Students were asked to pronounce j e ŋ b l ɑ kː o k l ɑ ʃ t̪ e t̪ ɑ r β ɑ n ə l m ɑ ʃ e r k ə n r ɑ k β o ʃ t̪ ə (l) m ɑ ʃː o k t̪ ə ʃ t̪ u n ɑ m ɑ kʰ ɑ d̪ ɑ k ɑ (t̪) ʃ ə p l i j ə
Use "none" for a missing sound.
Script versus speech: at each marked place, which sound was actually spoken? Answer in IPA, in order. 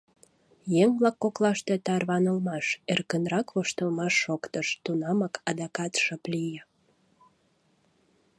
l, t̪

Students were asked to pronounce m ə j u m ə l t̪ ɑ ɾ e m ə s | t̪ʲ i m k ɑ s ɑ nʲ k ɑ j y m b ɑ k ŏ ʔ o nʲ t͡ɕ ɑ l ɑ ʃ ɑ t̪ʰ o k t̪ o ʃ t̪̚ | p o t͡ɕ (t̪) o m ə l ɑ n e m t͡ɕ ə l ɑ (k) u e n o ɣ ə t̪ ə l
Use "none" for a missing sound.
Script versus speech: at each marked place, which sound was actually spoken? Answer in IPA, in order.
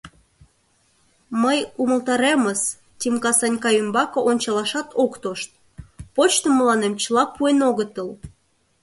t̪, p

